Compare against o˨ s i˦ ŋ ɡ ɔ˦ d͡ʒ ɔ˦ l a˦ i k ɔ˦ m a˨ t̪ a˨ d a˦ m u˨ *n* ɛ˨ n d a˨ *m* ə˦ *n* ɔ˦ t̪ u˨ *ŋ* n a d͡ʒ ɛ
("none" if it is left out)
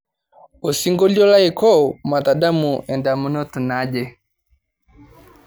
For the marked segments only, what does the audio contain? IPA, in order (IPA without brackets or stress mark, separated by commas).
none, m, n, none